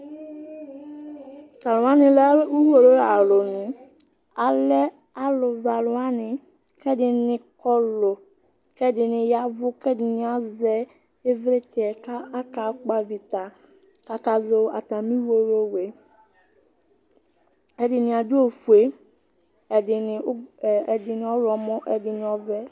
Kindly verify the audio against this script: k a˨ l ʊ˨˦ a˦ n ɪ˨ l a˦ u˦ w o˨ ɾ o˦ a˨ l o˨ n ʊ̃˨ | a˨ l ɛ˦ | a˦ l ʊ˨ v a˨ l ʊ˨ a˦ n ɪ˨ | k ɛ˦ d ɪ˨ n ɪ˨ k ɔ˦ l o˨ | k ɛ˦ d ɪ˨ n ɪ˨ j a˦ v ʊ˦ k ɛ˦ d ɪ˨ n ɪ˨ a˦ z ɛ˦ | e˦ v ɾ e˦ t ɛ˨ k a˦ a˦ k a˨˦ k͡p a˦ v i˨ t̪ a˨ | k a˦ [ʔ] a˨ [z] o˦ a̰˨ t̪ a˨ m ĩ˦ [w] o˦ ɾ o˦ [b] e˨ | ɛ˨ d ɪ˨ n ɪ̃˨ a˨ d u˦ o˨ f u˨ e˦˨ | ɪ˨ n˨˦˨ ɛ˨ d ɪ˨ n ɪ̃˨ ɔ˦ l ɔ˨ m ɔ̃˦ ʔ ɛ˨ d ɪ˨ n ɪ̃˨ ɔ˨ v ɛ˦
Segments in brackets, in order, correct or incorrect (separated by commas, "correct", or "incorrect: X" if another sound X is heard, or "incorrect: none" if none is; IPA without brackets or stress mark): incorrect: k, correct, correct, incorrect: w